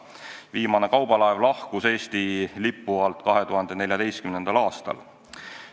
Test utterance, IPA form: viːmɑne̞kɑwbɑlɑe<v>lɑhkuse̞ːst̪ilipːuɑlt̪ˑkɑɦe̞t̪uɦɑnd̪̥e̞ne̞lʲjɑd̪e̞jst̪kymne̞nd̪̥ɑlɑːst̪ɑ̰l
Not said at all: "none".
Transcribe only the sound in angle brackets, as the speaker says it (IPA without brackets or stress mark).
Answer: v